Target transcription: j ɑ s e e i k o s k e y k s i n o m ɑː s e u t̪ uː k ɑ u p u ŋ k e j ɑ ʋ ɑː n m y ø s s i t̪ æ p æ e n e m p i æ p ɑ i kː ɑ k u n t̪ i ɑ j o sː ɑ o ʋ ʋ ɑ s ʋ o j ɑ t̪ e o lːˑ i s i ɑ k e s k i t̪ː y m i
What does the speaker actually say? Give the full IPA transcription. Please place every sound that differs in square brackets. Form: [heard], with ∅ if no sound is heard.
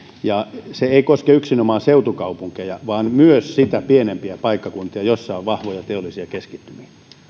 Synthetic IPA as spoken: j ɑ s e e i k o s k e y k s i n o m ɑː s e u t̪ [u] k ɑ u p u ŋ k e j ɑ ʋ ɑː n m y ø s s i t̪ æ p [i] e n e m p i æ p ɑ i kː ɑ k u n t̪ i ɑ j o sː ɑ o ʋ ʋ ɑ [h] ʋ o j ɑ t̪ e o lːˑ i s i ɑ k e s k i t̪ː y m i